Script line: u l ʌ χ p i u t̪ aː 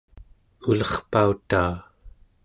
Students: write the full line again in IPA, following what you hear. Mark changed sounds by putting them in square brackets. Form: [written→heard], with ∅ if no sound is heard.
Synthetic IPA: u l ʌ χ p [i→a] u t̪ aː